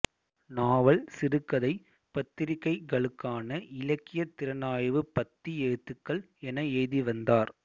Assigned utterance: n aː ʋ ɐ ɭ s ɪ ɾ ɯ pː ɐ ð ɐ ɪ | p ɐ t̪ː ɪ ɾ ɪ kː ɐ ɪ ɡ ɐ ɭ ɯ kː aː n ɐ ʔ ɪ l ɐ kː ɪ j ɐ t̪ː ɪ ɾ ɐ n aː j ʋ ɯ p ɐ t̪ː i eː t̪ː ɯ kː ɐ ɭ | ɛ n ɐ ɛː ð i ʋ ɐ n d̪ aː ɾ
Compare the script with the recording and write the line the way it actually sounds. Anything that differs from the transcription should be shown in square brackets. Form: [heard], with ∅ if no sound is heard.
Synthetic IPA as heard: n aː ʋ ɐ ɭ s ɪ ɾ ɯ [kː] ɐ ð ɐ ɪ | p ɐ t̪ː ɪ ɾ ɪ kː ɐ ɪ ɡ ɐ ɭ ɯ kː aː n ɐ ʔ ɪ l ɐ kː ɪ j ɐ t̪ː ɪ ɾ ɐ n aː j ʋ ɯ p ɐ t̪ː i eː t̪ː ɯ kː ɐ ɭ | ɛ n ɐ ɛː ð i ʋ ɐ n d̪ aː ɾ